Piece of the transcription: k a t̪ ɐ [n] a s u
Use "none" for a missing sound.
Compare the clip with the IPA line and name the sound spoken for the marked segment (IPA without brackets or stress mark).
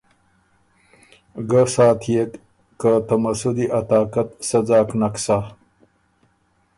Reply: m